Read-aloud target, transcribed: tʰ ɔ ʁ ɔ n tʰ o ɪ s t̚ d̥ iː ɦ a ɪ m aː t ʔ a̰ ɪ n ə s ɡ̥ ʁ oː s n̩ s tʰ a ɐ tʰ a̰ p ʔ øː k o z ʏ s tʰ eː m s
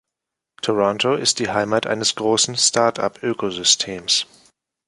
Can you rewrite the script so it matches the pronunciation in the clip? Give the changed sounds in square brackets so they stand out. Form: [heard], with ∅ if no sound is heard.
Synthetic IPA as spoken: tʰ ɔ ʁ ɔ n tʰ o ɪ s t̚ d̥ iː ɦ a ɪ m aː t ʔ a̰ ɪ n ə s ɡ̥ ʁ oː s n̩ s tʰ a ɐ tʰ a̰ p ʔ øː k o z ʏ s tʰ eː m s